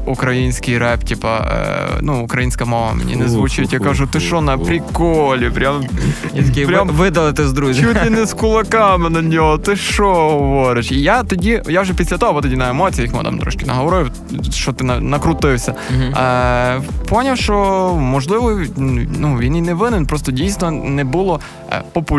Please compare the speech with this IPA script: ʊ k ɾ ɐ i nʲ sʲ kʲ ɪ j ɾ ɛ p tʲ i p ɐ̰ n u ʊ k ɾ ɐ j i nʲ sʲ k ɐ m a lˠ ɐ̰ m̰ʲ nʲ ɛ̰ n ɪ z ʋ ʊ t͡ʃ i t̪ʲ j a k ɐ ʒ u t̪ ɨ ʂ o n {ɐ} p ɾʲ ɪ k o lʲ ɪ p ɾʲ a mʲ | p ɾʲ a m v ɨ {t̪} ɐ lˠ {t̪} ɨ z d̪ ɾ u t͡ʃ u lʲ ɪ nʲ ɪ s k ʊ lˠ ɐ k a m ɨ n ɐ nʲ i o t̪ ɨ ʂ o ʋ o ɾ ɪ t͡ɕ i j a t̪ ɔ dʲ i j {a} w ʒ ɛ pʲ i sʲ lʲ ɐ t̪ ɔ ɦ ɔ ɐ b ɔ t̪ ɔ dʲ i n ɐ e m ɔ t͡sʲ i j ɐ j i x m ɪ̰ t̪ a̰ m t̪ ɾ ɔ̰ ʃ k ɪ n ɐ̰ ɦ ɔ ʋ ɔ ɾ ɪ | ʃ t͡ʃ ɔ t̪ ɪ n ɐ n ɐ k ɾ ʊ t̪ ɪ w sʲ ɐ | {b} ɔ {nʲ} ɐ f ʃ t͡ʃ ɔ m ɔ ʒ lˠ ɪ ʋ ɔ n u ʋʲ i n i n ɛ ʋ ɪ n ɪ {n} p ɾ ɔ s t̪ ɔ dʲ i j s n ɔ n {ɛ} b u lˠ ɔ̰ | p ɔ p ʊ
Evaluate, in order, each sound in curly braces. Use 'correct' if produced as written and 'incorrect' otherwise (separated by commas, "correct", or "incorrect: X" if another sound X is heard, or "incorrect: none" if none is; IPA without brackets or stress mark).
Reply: correct, incorrect: d̪, correct, correct, incorrect: p, correct, correct, correct